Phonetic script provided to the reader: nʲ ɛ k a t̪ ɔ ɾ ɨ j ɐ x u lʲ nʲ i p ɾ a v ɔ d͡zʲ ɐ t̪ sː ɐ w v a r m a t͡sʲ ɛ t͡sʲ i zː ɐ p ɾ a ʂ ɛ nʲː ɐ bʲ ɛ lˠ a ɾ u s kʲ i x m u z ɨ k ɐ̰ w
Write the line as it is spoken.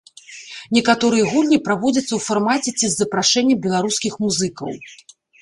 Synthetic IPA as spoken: nʲ ɛ k a t̪ ɔ ɾ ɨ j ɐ ɣ u lʲ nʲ i p ɾ a v ɔ d͡zʲ ɐ t̪ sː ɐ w f a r m a t͡sʲ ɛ t͡sʲ i zː ɐ p ɾ a ʂ ɛ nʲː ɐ bʲ ɛ lˠ a ɾ u s kʲ i x m u z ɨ k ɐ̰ w